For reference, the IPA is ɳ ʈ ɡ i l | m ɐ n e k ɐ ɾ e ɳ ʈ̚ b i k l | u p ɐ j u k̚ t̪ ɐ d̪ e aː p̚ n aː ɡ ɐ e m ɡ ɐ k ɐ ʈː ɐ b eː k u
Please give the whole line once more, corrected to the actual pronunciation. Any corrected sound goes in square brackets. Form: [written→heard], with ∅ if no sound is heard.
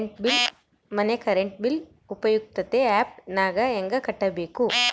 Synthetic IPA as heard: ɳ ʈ [ɡ→b] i l | m ɐ n e k ɐ ɾ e ɳ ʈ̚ b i [k→∅] l | u p ɐ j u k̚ t̪ ɐ [d̪→t̪] e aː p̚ n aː ɡ ɐ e [m→ŋ] ɡ ɐ k ɐ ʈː ɐ b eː k u

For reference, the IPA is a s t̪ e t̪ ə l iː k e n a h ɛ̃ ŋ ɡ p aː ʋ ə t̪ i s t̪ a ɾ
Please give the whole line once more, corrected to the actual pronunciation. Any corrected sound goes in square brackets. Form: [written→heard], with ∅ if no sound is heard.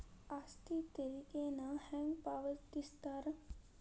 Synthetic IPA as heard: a s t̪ [e→i] t̪ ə [l→ɾ] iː k e n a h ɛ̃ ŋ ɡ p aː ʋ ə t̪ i s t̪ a ɾ

